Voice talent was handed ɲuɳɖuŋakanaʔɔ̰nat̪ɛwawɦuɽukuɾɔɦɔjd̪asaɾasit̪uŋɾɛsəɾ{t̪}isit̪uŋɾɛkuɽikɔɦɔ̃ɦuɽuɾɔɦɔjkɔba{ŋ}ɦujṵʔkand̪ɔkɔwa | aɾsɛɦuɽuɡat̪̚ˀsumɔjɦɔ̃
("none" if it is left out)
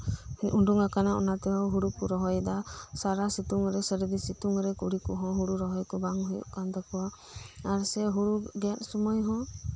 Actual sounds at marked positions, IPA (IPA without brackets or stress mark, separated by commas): d̪, ŋ